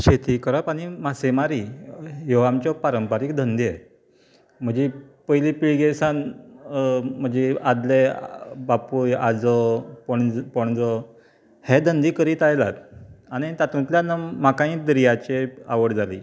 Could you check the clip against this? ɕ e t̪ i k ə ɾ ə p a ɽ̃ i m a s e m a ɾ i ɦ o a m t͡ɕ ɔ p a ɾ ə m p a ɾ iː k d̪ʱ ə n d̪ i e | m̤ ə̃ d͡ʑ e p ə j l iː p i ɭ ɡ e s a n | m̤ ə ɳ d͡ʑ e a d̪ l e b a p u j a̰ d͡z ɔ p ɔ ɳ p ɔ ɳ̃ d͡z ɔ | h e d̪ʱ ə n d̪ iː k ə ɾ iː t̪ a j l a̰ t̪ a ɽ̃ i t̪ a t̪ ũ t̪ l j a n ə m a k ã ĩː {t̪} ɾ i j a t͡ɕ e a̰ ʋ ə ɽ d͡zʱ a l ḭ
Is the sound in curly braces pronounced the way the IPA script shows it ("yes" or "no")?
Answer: no